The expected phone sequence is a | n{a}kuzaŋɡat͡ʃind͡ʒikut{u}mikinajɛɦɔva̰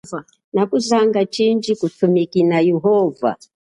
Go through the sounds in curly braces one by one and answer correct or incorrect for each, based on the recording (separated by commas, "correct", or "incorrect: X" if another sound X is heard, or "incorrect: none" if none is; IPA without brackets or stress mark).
correct, correct